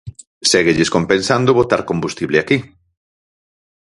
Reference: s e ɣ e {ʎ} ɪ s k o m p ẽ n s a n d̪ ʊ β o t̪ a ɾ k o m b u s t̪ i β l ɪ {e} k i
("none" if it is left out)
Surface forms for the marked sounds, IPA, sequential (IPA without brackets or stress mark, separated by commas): ʎ, a